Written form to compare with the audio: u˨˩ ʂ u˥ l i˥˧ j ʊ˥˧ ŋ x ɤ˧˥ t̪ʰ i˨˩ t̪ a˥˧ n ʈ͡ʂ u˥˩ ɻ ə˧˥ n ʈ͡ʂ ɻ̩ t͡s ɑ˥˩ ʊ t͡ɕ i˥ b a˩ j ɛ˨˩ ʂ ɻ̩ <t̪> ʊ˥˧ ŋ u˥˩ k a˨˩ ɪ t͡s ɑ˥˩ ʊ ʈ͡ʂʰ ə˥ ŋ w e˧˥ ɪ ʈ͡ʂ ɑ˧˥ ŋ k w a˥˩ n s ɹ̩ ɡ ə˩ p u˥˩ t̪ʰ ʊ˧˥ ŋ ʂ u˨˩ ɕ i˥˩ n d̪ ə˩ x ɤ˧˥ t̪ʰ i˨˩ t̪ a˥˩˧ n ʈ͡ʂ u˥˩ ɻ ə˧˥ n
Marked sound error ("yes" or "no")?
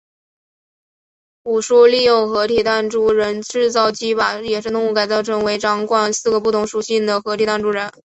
no